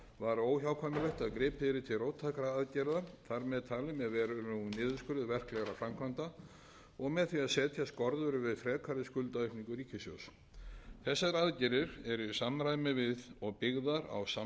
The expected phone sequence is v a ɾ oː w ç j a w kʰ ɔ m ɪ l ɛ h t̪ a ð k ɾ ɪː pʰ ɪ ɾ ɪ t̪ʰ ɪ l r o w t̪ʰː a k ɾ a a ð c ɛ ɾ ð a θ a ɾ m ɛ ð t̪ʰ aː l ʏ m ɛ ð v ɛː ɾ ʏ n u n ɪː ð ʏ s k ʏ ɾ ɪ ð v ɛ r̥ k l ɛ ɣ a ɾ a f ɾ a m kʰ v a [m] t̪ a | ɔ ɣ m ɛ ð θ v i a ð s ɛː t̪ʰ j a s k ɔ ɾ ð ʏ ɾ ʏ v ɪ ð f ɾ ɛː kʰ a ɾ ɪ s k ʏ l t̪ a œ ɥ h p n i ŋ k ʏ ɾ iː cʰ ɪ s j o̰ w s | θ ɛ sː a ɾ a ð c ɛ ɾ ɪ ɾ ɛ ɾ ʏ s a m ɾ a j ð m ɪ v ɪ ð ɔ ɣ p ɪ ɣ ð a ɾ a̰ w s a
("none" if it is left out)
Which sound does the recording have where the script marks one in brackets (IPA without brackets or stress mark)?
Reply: n